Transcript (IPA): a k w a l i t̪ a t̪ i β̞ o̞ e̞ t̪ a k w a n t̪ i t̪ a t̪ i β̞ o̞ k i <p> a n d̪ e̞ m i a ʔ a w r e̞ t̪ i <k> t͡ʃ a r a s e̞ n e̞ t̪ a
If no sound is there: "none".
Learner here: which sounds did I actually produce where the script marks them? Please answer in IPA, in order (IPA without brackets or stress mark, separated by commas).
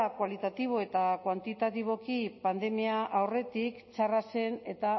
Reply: p, k